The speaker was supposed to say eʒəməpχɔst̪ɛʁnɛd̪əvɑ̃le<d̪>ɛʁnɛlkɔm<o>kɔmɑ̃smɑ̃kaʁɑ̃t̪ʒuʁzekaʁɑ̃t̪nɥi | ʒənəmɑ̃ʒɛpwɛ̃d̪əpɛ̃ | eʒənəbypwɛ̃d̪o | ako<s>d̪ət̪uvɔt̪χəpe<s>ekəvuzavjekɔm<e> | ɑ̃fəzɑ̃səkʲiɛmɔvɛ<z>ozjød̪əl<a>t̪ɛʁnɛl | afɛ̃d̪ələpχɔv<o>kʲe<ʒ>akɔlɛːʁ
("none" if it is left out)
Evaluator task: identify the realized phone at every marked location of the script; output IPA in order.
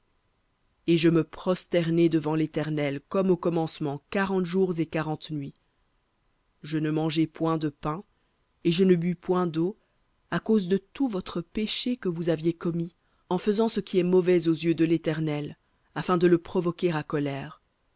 t̪, o, z, ʃ, i, z, e, ɔ, ʁ

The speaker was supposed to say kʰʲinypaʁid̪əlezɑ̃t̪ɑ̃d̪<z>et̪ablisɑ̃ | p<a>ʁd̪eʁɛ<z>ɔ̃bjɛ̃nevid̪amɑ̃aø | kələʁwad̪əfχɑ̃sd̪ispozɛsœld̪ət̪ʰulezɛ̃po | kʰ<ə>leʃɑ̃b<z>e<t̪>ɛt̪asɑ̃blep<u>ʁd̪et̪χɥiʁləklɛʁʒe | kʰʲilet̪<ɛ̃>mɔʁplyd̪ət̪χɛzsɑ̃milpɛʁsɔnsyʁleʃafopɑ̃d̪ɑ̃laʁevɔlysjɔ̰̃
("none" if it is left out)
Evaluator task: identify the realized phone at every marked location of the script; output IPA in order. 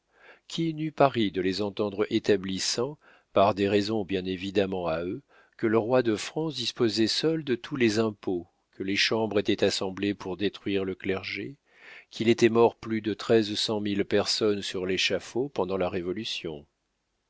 ʁ, a, z, ə, ʁ, t̪, u, ɛ

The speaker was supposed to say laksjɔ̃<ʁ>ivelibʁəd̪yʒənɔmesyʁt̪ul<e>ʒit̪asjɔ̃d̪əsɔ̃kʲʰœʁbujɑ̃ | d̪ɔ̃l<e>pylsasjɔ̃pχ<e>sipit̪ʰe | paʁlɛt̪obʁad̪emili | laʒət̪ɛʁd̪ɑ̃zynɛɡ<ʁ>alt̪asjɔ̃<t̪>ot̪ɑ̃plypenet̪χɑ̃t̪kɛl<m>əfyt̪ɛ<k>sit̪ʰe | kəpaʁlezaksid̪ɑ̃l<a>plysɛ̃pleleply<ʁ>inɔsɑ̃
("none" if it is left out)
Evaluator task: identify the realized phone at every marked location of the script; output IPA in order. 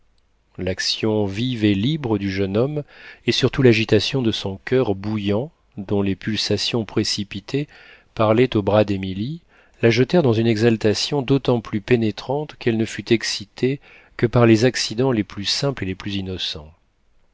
v, a, e, e, z, d̪, n, k, e, z

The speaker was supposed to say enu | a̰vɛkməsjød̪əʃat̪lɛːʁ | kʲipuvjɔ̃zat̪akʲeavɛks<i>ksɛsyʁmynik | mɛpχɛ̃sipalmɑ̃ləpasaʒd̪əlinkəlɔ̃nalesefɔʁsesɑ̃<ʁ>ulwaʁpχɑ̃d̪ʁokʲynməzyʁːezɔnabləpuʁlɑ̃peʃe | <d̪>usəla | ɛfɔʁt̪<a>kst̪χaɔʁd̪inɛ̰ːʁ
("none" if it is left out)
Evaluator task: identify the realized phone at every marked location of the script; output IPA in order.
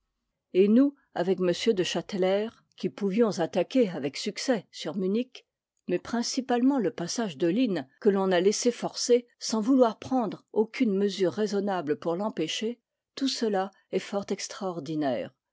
y, v, t̪, ɛ

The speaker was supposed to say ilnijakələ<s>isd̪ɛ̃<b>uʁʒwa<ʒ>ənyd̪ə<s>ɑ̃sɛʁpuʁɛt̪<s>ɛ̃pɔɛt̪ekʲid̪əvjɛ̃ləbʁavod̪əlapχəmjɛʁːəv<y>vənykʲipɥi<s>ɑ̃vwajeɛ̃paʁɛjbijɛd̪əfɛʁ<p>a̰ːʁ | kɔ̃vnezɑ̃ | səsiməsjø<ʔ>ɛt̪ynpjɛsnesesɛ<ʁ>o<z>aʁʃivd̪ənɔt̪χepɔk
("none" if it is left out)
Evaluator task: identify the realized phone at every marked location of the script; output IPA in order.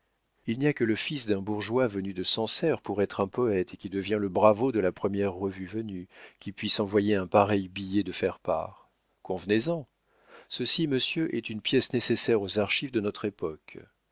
f, b, v, s, χ, y, s, p, ʔ, ʁ, z

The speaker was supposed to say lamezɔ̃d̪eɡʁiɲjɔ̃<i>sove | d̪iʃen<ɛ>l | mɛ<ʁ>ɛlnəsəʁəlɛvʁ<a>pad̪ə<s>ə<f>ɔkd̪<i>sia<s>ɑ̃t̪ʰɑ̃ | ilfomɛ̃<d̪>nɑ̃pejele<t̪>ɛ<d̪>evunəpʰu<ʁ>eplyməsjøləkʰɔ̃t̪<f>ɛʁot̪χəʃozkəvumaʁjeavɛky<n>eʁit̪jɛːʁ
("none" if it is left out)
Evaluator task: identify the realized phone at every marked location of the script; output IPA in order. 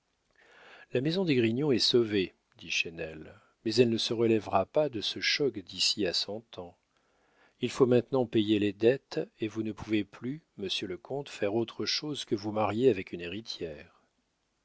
ɛ, ɛ, z, a, s, ʃ, i, s, t̪, d̪, t̪, v, f, n

